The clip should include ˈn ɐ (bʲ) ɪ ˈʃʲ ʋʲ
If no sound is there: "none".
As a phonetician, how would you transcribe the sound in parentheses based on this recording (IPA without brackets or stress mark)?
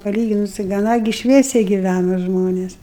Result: ɡʲ